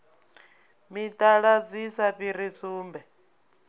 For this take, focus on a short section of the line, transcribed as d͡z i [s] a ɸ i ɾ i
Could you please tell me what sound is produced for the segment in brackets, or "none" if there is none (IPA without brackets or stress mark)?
s